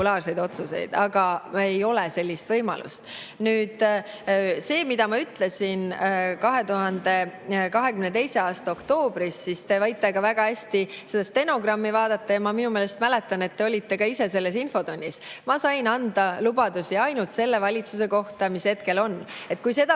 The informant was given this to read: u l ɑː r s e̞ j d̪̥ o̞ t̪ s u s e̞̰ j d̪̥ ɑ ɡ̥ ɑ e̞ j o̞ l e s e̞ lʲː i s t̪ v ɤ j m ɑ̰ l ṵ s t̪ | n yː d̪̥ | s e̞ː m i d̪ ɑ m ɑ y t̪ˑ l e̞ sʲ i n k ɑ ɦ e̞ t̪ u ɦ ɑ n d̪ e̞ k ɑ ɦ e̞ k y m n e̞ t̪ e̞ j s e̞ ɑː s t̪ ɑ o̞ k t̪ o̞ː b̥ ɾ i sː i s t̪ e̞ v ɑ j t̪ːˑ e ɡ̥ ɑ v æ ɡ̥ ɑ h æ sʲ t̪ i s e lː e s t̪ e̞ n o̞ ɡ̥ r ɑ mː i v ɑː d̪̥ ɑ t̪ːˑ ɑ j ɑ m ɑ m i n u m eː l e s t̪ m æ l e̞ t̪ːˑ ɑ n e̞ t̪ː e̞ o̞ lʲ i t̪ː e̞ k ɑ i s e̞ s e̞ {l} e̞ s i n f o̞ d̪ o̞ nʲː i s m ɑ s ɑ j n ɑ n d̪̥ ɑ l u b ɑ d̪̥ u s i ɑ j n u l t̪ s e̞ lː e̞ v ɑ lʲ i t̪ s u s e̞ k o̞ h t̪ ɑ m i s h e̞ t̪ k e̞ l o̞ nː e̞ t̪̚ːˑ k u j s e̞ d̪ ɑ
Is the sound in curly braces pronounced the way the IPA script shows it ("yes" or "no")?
no